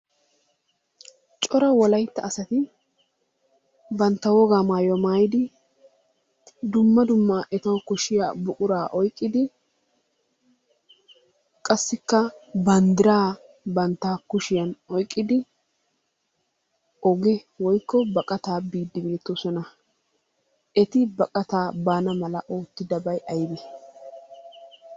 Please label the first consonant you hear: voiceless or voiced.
voiceless